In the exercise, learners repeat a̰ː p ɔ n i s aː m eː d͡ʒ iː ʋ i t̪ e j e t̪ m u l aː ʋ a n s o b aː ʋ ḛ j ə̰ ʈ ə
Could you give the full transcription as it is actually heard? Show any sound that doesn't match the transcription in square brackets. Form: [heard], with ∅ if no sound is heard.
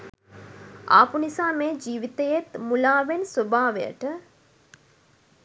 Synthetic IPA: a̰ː p [u] n i s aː m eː d͡ʒ iː ʋ i t̪ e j e t̪ m u l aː ʋ [e] n s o b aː ʋ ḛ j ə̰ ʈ ə